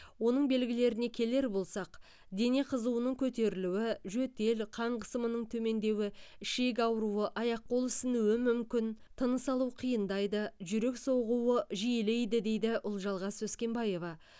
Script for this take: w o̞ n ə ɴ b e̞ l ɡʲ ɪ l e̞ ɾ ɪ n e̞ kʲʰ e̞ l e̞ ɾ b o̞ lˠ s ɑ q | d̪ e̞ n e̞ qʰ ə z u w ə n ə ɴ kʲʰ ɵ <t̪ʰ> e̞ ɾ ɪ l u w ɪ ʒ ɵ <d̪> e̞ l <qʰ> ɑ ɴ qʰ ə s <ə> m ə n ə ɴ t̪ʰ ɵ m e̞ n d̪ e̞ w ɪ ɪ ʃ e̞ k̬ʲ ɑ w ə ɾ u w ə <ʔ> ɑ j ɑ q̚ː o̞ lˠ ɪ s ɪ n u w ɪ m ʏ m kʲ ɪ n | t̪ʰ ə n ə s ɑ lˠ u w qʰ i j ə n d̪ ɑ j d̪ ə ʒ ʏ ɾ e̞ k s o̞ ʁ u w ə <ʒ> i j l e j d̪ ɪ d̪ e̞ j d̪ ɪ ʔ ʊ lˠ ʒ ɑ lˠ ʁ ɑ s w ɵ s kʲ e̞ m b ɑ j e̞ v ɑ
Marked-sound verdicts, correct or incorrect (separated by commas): incorrect, incorrect, correct, correct, correct, correct